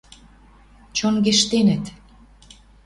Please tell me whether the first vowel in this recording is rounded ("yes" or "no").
yes